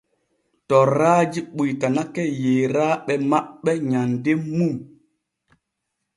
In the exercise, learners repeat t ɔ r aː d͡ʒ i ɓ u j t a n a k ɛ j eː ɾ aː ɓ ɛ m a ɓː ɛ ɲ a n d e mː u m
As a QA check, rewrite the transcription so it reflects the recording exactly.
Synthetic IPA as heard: t ɔ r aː d͡ʒ i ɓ u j t a n a k ɛ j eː ɾ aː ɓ ɛ m a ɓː ɛ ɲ a n d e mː u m